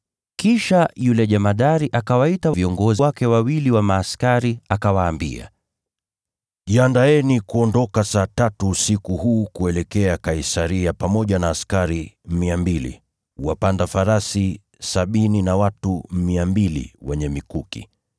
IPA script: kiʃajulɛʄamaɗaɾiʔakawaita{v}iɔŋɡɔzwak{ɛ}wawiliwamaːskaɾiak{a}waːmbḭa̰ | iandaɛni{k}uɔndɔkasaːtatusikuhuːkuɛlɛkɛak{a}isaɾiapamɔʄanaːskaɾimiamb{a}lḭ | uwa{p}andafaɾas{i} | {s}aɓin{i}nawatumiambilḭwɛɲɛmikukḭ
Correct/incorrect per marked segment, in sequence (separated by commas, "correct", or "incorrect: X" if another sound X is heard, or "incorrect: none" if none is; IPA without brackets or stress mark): correct, correct, correct, correct, correct, incorrect: i, correct, correct, correct, correct